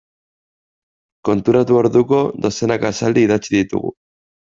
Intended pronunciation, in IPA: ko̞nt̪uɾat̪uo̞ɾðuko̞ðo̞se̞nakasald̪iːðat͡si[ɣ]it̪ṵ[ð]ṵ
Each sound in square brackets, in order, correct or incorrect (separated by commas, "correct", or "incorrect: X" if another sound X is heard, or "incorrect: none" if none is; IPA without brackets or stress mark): incorrect: ð, incorrect: ɣ